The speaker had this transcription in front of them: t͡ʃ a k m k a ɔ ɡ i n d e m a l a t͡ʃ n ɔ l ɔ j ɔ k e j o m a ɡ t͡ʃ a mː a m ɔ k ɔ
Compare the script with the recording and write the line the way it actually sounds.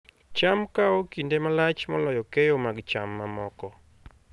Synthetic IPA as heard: t͡ʃ a m k a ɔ k i n d e m a l a t͡ʃ m ɔ l ɔ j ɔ k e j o m a ɡ t͡ʃ a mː a m ɔ k ɔ